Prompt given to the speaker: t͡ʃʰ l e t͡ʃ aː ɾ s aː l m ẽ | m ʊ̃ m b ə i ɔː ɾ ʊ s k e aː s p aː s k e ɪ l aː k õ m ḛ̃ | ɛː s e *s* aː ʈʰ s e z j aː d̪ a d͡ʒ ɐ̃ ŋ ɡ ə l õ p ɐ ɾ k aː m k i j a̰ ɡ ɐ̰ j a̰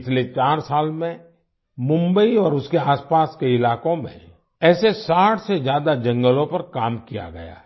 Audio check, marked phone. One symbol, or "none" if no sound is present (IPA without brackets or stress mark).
s